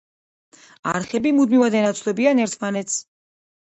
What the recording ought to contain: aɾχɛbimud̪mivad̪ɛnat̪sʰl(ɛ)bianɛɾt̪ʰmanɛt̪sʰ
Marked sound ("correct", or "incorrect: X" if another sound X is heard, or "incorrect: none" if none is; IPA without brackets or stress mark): correct